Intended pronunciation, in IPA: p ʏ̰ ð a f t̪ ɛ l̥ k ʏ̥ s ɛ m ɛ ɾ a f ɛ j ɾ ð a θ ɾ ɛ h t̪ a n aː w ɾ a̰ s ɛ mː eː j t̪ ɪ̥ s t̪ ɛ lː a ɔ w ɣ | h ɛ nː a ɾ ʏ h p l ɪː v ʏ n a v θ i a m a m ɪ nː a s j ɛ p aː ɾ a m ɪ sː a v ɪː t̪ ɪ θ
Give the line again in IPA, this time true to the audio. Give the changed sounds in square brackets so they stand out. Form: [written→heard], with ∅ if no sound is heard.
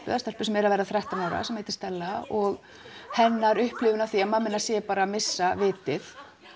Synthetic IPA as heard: p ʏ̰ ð a [f→s] t̪ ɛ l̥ [k→p] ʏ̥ s ɛ m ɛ ɾ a [f→v] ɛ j ɾ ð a θ ɾ ɛ h t̪ a n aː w ɾ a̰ s ɛ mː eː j t̪ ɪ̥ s t̪ ɛ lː a ɔ [w→∅] ɣ | h ɛ nː a ɾ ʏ h p l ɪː v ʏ n a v θ i a m a m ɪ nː a s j ɛ p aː ɾ a m ɪ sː a v ɪː t̪ ɪ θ